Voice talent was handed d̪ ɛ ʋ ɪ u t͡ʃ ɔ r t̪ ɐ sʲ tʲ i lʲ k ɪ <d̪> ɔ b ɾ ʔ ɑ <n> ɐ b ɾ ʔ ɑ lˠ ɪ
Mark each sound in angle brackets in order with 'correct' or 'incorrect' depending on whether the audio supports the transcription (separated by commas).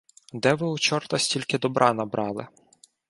correct, correct